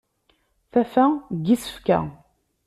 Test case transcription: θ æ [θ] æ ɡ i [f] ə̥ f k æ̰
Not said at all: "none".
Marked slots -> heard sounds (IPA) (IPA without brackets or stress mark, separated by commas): f, s